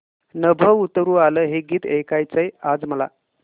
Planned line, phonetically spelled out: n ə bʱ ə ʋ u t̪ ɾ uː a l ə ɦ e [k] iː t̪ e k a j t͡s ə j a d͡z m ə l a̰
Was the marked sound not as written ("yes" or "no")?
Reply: yes